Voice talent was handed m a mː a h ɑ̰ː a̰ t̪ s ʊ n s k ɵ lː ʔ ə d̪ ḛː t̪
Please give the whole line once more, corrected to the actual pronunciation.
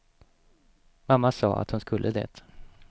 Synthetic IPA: m a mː a s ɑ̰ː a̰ t̪ h ʊ n s k ɵ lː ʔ ə d̪ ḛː t̪